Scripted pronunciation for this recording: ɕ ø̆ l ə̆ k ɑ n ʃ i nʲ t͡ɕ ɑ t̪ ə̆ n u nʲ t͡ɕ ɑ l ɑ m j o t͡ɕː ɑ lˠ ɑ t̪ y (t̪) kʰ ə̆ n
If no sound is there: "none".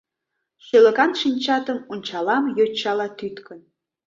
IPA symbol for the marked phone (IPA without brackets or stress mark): t̪